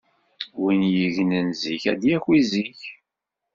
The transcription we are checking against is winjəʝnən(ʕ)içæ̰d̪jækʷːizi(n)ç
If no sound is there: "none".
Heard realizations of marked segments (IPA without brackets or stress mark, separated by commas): z, none